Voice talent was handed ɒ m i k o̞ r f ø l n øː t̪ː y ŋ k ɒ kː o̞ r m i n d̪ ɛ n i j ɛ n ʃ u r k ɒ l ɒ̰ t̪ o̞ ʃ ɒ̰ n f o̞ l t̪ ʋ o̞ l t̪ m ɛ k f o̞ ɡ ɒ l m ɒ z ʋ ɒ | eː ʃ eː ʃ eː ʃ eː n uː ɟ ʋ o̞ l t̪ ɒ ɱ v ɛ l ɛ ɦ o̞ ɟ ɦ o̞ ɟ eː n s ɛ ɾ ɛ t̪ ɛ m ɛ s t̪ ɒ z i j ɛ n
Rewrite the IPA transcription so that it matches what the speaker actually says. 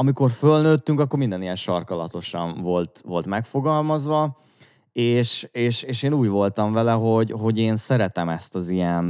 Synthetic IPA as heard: ɒ m i k o̞ r f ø l n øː t̪ː y ŋ k ɒ kː o̞ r m i n d̪ ɛ n i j ɛ n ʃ ɒ r k ɒ l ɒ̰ t̪ o̞ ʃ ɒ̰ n v o̞ l t̪ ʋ o̞ l t̪ m ɛ k f o̞ ɡ ɒ l m ɒ z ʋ ɒ | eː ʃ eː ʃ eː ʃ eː n uː ɟ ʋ o̞ l t̪ ɒ ɱ v ɛ l ɛ ɦ o̞ ɟ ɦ o̞ ɟ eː n s ɛ ɾ ɛ t̪ ɛ m ɛ s t̪ ɒ z i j ɛ n